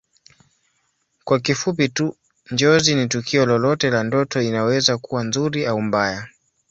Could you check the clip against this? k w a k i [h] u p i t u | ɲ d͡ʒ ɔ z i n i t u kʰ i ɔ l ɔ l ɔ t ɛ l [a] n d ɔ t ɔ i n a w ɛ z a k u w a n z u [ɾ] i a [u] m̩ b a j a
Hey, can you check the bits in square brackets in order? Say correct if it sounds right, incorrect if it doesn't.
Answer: incorrect: f, correct, correct, correct

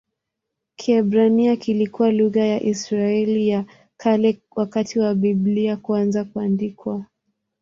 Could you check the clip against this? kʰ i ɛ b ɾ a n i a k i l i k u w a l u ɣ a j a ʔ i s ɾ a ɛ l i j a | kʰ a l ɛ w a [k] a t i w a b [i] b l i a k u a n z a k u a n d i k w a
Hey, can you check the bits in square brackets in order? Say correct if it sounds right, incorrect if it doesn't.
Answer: correct, correct

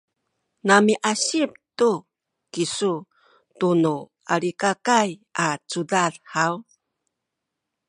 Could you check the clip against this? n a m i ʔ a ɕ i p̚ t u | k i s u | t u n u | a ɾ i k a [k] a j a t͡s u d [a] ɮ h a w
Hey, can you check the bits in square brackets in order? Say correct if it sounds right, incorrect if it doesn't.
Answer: correct, correct

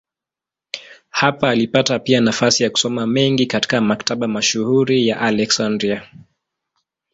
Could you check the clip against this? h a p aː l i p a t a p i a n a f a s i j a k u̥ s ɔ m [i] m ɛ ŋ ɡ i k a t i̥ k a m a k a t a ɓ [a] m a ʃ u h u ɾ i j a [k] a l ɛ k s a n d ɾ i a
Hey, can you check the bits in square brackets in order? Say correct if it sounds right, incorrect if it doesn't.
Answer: incorrect: a, correct, incorrect: ʔ

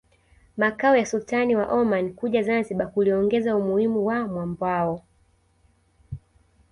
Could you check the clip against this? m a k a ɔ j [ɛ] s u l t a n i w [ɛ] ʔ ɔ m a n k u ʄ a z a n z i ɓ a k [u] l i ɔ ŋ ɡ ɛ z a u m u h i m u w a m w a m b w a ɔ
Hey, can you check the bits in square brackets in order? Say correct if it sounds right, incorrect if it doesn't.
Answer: incorrect: a, incorrect: a, correct

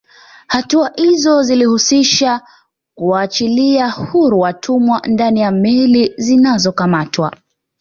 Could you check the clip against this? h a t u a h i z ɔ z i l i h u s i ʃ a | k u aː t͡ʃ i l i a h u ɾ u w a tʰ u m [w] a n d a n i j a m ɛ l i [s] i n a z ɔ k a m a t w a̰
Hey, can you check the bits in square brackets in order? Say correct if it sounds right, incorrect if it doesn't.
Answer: correct, incorrect: z

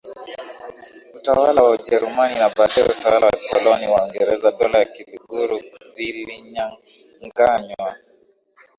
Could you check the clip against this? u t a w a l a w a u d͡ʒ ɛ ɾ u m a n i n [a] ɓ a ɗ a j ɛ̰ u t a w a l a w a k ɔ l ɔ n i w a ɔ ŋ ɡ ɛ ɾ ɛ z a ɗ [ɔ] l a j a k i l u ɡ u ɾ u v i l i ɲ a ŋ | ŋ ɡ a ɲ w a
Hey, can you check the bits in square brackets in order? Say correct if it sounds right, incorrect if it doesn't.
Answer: correct, correct

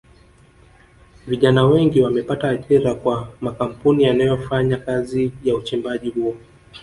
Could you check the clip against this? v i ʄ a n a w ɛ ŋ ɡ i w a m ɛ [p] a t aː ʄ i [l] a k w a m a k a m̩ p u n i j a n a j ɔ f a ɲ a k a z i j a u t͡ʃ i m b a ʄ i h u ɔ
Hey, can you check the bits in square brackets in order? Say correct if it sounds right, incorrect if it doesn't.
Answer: correct, incorrect: ɾ

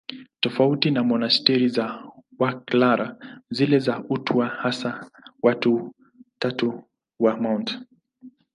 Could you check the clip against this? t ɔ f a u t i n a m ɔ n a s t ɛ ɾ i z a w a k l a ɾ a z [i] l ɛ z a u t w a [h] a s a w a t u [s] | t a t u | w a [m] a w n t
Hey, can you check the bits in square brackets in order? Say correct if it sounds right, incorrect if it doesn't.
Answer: correct, correct, incorrect: none, correct

